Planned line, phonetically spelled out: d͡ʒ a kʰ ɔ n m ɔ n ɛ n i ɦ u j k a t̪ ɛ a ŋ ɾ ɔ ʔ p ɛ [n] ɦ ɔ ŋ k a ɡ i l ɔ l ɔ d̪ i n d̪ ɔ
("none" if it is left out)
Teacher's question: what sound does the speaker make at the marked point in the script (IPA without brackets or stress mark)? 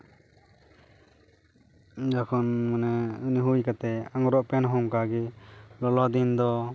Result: n